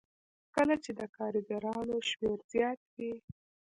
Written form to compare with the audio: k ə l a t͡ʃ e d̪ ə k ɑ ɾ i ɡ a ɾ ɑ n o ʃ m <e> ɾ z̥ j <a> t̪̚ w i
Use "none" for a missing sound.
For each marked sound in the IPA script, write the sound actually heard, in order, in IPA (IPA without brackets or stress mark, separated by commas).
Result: e, ɑ